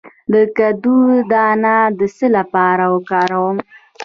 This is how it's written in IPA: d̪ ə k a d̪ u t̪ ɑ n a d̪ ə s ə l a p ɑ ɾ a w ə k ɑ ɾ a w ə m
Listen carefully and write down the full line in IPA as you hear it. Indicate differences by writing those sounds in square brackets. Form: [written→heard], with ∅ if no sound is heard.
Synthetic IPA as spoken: d̪ ə k a d̪ u [t̪→d̪] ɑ n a d̪ ə s ə l a p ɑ ɾ a w ə k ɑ ɾ a w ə m